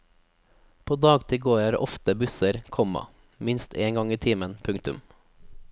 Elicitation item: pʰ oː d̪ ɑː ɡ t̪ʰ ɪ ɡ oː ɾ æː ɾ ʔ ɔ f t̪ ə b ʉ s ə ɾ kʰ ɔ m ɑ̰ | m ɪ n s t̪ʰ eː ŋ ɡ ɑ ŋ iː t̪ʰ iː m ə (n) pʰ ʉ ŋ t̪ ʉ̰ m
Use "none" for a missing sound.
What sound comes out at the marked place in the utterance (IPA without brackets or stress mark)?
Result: n